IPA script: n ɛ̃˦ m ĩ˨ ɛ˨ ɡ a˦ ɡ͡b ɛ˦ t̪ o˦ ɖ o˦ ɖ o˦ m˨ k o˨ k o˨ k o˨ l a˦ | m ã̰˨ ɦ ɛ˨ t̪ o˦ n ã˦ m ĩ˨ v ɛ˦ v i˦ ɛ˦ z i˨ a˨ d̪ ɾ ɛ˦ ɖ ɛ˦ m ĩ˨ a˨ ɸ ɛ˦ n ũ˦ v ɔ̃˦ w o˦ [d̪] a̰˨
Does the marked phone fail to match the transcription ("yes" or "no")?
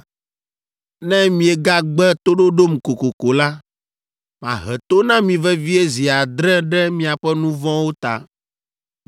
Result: yes